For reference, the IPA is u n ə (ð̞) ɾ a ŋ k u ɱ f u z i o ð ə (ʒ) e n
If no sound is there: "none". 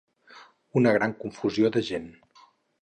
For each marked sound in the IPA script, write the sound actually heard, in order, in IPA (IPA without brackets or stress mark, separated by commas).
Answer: ɣ̞, ʒ